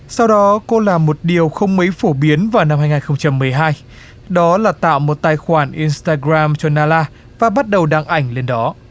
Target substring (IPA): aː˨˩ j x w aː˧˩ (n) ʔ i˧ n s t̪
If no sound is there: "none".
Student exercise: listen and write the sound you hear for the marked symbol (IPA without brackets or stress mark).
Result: n